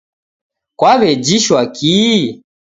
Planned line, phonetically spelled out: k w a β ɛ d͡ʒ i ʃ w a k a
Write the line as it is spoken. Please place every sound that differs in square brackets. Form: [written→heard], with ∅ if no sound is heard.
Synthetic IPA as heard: k w a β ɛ d͡ʒ i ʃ w a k [a→i]